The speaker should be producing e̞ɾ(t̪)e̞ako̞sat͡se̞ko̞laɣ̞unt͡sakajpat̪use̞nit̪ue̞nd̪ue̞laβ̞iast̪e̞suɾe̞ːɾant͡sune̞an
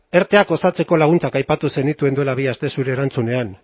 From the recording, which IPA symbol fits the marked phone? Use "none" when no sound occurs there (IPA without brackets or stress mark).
t̪